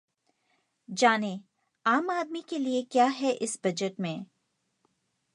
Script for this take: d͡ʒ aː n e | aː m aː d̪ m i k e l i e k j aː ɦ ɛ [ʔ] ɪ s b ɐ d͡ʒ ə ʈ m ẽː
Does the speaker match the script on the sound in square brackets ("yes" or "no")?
yes